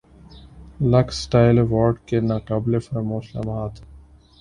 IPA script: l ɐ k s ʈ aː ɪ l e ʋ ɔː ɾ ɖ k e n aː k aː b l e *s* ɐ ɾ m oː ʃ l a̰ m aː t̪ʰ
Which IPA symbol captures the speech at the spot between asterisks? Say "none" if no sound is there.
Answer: f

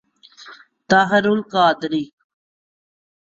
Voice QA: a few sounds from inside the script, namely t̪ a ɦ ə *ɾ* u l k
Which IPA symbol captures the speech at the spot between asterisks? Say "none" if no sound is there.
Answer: ɾ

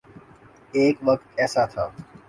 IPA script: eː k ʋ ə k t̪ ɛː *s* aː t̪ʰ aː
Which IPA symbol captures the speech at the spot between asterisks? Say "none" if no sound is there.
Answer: s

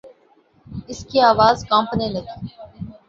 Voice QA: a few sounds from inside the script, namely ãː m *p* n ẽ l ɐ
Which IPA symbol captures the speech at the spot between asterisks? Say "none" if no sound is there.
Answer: p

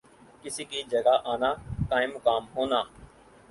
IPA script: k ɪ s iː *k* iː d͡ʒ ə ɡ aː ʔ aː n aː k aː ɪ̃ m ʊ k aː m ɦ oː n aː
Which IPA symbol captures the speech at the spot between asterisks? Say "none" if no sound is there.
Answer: k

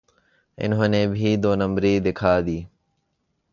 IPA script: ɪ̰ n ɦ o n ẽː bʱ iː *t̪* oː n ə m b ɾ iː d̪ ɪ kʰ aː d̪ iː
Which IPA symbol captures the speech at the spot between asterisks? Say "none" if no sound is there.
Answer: d̪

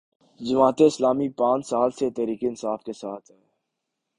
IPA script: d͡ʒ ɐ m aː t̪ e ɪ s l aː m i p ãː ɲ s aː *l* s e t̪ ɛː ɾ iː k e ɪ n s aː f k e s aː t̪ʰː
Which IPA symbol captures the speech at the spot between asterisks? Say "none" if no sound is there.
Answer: l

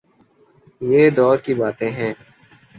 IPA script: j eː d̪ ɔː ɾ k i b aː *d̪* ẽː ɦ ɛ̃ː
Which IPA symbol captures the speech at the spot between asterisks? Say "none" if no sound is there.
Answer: t̪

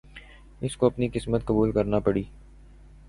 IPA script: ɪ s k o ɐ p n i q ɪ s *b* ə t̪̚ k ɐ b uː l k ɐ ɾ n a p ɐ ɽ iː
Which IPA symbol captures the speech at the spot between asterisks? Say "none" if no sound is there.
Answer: m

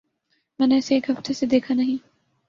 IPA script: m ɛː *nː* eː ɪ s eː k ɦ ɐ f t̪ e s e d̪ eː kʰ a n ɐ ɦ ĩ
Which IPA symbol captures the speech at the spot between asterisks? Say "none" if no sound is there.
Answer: n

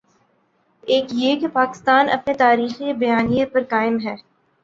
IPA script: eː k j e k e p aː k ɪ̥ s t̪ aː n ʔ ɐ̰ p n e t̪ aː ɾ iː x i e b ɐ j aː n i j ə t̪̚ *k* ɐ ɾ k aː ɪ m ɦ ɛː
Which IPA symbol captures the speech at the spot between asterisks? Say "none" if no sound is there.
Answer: p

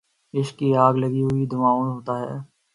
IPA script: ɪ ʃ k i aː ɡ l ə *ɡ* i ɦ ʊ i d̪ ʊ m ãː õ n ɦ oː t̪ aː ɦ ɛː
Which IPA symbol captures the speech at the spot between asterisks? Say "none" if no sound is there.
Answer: ɡ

